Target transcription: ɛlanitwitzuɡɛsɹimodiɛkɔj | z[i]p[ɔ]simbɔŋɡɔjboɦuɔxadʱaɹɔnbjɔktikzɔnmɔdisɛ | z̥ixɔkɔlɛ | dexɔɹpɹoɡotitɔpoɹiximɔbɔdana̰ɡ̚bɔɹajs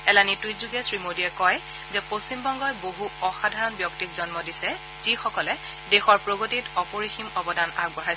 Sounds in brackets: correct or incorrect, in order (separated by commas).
incorrect, incorrect